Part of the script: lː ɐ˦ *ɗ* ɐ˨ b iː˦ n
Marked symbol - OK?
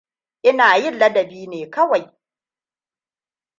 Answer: no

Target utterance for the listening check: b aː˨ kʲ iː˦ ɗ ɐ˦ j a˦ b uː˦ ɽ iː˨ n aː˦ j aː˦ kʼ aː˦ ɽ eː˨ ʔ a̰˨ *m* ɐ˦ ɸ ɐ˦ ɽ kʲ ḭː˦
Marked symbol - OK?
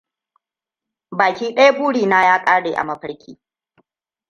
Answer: yes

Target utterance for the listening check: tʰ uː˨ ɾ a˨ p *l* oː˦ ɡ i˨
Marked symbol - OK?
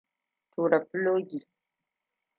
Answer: yes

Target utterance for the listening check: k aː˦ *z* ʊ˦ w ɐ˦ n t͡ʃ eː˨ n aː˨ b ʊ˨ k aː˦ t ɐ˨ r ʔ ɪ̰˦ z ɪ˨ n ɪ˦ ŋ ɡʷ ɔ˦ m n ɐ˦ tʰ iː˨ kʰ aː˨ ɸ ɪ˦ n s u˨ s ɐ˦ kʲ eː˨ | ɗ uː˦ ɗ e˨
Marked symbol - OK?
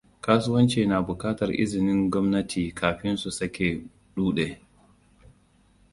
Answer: no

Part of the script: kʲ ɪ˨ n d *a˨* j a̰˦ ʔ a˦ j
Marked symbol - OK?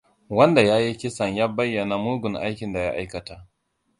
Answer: yes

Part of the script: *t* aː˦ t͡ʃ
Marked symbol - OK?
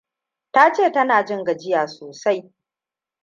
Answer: yes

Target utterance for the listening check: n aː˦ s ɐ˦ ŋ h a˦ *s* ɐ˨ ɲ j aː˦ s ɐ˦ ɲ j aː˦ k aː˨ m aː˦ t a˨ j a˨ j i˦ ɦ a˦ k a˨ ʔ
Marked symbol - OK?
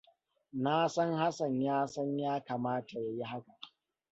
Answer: yes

